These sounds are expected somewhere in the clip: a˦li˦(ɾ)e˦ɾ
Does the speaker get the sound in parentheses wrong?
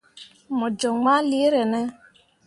yes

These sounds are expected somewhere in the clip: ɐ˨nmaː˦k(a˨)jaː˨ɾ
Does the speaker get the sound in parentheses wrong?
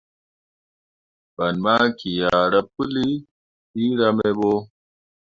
yes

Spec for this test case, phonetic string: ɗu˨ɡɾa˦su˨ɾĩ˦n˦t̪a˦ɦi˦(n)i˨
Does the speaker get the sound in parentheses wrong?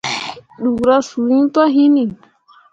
no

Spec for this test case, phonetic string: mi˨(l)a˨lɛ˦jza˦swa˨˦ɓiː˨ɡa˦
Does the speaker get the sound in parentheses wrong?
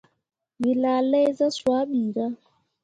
no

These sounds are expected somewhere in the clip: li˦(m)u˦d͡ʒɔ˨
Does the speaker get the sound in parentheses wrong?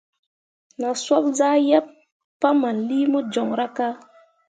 no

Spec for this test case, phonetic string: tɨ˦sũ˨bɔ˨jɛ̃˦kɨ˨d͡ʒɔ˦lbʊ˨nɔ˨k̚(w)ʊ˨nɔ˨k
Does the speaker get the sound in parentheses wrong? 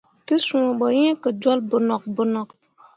yes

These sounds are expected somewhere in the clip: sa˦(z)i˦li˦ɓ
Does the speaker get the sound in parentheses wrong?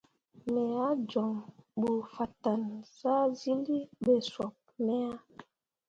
no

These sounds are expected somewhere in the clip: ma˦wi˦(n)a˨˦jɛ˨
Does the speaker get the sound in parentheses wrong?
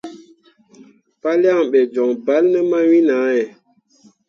no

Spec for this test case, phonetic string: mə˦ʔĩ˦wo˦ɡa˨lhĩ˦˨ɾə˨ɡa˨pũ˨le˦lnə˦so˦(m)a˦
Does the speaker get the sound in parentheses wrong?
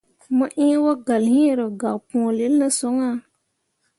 yes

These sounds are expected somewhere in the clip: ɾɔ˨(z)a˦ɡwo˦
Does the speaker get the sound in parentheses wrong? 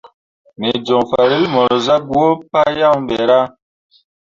no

